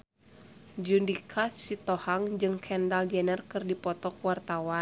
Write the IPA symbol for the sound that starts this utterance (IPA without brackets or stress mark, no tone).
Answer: d͡ʒ